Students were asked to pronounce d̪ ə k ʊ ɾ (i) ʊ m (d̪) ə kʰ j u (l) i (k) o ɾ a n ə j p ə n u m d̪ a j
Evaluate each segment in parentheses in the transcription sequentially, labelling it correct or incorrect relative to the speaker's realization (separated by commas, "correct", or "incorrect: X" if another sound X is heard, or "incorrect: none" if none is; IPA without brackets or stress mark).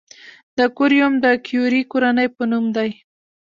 incorrect: j, correct, incorrect: ɾ, correct